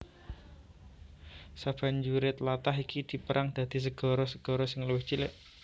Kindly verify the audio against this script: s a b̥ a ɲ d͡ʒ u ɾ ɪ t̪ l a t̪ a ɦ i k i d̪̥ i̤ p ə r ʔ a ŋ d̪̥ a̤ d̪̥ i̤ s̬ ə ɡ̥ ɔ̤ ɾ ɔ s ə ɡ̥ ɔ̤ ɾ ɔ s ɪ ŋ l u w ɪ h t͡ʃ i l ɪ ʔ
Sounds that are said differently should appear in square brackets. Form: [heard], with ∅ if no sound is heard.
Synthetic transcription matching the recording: s a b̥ a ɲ d͡ʒ u ɾ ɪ t̪ l a t̪ a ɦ i k i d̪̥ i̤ p ə [ɾ] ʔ a ŋ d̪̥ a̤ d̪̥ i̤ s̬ ə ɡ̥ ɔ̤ ɾ ɔ s ə ɡ̥ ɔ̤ ɾ ɔ s ɪ ŋ l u w ɪ h t͡ʃ i l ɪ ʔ